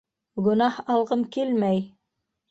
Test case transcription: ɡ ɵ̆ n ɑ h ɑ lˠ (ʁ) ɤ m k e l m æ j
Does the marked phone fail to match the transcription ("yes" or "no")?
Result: no